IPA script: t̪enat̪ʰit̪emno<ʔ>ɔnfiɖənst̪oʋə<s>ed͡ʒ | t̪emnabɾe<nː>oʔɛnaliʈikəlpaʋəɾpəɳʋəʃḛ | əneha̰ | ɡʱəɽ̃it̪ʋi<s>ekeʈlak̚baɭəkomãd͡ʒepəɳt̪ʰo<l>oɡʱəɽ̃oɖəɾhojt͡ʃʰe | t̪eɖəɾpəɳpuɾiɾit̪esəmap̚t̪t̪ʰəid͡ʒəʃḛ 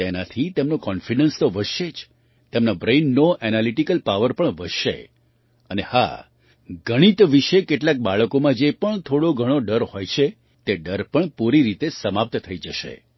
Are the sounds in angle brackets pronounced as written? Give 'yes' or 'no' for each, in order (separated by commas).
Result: no, no, yes, no, no